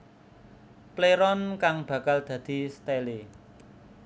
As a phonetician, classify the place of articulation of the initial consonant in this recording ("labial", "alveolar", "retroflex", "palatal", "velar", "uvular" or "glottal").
labial